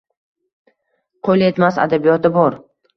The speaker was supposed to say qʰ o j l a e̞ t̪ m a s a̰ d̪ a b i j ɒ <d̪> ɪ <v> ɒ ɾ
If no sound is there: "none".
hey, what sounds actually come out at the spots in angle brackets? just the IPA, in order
t̪, b

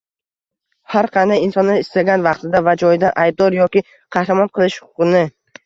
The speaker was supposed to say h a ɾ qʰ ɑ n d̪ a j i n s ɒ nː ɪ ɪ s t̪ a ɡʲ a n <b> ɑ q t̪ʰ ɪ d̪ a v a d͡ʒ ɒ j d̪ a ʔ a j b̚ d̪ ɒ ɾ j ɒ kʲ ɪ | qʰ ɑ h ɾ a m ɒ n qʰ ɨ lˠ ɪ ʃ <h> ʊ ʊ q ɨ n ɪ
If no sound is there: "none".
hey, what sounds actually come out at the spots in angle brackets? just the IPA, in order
v, h

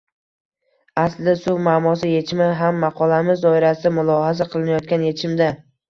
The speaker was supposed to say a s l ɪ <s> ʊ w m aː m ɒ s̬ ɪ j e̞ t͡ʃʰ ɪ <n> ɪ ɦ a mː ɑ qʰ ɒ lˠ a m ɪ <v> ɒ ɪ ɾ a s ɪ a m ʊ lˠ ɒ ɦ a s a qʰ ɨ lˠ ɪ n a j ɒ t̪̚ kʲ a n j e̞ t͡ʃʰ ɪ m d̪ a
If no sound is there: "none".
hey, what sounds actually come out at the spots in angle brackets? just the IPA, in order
s, m, z

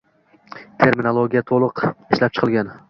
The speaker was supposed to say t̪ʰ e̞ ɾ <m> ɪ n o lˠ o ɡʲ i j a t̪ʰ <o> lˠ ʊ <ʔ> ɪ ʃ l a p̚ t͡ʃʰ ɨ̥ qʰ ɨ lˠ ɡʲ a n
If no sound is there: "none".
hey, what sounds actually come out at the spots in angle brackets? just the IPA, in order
m, o, q

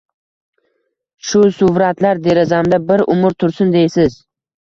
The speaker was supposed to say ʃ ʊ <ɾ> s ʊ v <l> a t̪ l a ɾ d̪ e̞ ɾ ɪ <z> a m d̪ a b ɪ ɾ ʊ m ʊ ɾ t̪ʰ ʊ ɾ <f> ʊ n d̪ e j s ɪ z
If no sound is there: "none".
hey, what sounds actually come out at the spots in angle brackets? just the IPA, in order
none, ɾ, z, s

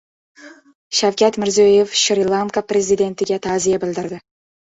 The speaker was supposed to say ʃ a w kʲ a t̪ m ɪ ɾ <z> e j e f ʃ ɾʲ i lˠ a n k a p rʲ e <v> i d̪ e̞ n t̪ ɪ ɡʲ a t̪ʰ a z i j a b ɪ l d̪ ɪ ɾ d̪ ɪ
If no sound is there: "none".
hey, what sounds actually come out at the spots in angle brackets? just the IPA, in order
z, z

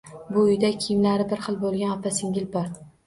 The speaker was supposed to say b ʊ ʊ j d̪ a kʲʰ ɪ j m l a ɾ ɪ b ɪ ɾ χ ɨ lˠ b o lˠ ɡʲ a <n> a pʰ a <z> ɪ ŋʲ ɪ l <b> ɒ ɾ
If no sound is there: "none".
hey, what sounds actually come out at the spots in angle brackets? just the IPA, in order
n, s, b

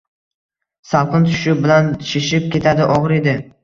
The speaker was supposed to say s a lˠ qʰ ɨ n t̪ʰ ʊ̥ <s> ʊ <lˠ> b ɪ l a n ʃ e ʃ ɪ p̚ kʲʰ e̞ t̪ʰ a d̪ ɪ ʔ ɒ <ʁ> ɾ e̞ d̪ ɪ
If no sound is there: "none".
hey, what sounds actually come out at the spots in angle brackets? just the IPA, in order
ʃ, none, ʁ

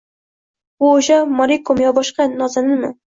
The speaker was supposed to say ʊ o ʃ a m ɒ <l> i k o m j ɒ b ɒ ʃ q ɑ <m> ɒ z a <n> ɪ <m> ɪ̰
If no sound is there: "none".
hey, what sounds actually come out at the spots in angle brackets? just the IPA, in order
ɾ, n, n, m

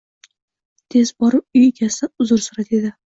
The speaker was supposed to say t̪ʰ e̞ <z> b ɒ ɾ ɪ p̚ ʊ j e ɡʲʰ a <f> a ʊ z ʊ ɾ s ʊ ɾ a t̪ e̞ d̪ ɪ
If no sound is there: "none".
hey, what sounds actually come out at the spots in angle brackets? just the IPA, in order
z, s

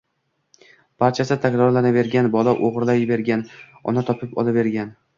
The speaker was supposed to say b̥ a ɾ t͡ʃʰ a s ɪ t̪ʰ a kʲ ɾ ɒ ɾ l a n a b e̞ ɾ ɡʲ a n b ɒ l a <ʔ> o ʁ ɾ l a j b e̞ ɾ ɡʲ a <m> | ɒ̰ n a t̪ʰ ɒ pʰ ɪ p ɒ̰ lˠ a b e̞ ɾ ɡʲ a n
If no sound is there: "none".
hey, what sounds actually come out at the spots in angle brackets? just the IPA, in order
ʔ, n

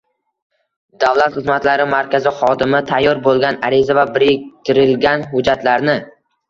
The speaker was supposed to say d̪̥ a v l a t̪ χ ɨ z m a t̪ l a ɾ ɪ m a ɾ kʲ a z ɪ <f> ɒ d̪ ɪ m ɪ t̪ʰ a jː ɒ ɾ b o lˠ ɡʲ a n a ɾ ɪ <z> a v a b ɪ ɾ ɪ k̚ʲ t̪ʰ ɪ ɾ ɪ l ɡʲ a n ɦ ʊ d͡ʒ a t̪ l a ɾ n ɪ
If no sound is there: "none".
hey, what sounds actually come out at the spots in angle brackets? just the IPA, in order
χ, z

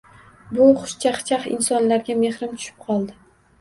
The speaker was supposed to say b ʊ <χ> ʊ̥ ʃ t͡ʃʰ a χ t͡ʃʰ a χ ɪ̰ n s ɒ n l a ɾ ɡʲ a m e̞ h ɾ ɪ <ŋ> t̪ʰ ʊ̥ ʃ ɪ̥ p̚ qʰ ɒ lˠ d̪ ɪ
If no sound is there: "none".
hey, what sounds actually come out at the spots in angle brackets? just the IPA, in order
χ, m

